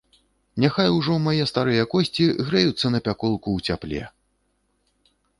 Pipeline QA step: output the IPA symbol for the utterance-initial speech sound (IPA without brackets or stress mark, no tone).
nʲ